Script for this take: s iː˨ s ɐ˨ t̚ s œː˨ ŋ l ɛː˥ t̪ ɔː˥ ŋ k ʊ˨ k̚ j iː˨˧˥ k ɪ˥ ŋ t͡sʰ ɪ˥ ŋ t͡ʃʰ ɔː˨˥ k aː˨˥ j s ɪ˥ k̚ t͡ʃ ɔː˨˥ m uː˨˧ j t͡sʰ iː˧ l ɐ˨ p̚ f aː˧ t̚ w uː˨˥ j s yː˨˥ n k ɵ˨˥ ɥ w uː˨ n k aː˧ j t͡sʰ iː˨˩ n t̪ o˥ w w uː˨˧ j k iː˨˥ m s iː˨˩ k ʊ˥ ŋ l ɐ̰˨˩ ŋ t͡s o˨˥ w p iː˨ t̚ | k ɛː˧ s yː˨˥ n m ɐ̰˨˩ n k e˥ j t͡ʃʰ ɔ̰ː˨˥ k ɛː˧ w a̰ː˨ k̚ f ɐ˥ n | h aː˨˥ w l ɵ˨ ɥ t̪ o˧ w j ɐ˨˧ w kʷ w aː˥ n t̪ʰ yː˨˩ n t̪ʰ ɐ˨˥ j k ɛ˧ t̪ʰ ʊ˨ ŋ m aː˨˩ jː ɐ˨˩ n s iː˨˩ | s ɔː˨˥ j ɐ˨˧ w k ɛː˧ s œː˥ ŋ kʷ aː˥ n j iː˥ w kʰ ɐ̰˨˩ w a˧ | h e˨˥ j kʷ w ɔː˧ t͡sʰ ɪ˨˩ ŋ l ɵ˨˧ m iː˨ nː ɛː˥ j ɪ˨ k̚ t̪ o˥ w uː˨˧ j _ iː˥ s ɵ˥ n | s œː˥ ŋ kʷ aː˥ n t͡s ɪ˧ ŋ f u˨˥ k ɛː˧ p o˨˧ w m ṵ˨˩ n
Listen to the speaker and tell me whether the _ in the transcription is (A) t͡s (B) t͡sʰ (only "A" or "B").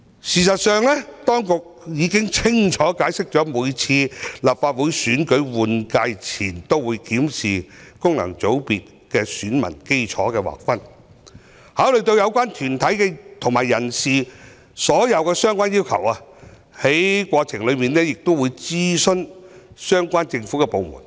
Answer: A